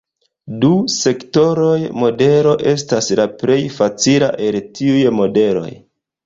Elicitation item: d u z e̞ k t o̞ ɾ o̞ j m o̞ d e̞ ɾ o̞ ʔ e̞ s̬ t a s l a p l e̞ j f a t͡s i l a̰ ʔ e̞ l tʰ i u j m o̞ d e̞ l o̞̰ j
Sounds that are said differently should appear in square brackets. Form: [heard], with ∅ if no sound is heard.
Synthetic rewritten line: d u [s] e̞ k t o̞ ɾ o̞ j m o̞ d e̞ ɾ o̞ ʔ e̞ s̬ t a s l a p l e̞ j f a t͡s i l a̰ ʔ e̞ l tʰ i u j m o̞ d e̞ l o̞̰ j

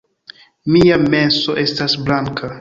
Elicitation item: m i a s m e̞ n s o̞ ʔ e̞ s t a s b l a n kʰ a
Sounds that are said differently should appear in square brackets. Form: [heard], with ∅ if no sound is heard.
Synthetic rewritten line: m i a [∅] m e̞ n s o̞ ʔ e̞ s t a s b l a [ŋ] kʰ a

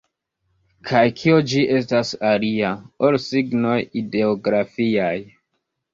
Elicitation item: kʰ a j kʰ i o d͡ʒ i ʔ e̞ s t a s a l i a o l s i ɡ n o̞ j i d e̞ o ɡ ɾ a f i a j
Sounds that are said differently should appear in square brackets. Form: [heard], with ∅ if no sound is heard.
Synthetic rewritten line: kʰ a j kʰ i o d͡ʒ i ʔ e̞ s t a s a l i a o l s i ɡ n o̞ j i d e̞ o ɡ ɾ a f i a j

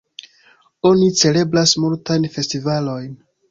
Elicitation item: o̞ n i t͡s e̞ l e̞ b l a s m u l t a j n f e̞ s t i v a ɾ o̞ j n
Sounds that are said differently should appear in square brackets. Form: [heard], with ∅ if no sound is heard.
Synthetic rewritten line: o̞ n i t͡s e̞ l e̞ b l a s m u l t a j n f e̞ s t i v a [l] o̞ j n

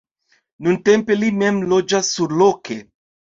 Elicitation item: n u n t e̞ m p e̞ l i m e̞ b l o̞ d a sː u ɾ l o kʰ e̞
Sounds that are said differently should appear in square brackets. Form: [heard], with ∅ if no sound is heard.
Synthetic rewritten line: n u n t e̞ m p e̞ l i m e̞ [m] l o̞ [d͡ʒ] a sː u ɾ l o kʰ e̞

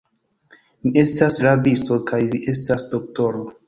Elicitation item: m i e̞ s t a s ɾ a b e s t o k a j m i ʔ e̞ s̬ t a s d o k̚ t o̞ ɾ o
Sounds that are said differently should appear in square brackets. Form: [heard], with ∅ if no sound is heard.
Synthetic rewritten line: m i e̞ s t a s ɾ a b [i] s t o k a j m i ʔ e̞ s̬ t a s d o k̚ t o̞ ɾ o

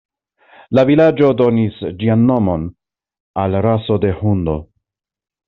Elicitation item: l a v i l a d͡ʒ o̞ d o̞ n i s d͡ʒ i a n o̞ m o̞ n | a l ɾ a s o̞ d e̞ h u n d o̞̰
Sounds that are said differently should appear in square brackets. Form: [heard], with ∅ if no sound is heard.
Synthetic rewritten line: l a v i l a d͡ʒ o̞ d o̞ n i s d͡ʒ i a [nː] o̞ m o̞ n | a l ɾ a s o̞ d e̞ h u n d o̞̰

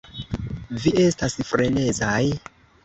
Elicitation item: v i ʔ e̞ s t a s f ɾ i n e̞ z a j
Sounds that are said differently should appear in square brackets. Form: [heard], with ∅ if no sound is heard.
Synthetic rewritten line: v i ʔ e̞ s t a s f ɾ [e] n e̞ z a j

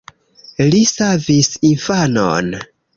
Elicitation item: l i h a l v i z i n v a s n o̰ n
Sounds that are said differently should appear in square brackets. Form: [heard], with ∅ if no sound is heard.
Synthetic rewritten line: l i [s] a [∅] v i [s] i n [f] a [∅] n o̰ n

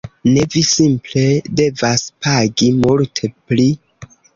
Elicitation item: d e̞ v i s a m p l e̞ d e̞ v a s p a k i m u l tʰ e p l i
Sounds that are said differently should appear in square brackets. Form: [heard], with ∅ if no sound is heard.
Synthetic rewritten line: [n] e̞ v i s [i] m p l e̞ d e̞ v a s p a [ɡ] i m u l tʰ e p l i

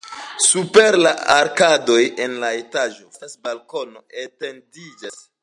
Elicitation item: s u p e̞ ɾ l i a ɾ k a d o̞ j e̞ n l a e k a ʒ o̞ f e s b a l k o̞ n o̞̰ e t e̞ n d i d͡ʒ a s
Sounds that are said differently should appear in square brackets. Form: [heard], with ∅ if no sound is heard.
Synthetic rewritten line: s u p e̞ ɾ l [a] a ɾ k a d o̞ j e̞ n l a e [t] a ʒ o̞ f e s b a l k o̞ n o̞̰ e t e̞ n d i d͡ʒ a s

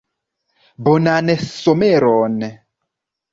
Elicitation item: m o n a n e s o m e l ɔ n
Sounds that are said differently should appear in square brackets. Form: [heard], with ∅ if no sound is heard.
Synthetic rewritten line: [b] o n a n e s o m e [ɾ] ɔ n

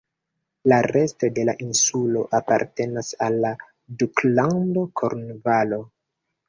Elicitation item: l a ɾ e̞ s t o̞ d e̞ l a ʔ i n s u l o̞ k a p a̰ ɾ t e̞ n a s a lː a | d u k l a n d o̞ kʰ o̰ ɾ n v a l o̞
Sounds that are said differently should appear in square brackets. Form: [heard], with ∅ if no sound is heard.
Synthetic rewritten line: l a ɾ e̞ s t o̞ d e̞ l a ʔ i n s u l o̞ [ʔ] a p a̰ ɾ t e̞ n a s a lː a | d u k l a n d o̞ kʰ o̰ ɾ n v a l o̞

